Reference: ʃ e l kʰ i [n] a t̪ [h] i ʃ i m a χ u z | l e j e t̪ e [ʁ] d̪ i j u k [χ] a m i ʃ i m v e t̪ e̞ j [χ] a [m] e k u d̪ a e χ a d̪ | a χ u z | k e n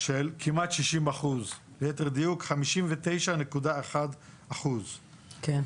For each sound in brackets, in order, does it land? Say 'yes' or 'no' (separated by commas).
no, no, yes, yes, no, no